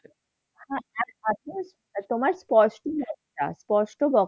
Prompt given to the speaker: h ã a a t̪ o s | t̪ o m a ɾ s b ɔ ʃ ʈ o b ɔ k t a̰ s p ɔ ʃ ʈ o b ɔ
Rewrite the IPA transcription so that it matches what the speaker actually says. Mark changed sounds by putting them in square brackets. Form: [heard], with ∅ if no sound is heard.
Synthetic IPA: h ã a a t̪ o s | t̪ o m a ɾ s [p] ɔ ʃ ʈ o b ɔ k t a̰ s p ɔ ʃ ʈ o b ɔ